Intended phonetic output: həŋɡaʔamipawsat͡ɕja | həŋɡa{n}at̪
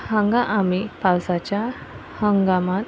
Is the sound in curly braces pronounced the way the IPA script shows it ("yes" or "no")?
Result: no